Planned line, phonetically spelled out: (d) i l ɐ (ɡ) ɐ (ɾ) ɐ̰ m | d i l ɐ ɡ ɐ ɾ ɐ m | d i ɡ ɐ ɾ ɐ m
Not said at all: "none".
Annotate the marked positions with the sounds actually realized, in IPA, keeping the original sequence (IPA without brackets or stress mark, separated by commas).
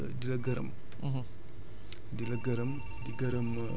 d, ɡ, ɾ